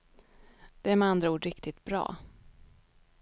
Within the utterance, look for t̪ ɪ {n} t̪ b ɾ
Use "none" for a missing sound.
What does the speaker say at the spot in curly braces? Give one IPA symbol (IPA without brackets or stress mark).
none